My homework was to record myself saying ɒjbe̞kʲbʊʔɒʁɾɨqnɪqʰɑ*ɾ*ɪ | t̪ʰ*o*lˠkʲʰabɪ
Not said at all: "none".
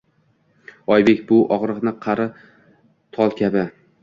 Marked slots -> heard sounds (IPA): ɾ, ɒ

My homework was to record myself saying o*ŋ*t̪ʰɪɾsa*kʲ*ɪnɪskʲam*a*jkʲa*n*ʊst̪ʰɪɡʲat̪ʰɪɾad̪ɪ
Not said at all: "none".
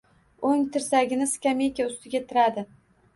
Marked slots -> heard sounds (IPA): ŋ, ɡʲ, e, none

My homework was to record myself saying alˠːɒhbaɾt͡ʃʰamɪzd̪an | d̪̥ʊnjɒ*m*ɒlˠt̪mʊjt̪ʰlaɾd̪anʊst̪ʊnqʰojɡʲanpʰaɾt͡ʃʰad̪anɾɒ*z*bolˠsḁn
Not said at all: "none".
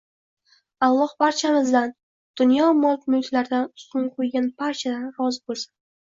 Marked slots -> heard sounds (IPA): m, z

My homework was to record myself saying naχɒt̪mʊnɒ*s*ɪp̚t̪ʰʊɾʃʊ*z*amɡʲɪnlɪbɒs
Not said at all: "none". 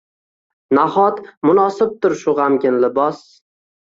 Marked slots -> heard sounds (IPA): s, ʁ

